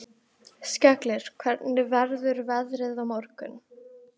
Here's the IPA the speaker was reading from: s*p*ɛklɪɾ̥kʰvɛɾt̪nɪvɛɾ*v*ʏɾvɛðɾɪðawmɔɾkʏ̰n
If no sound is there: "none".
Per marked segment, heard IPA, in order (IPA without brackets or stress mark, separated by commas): c, ð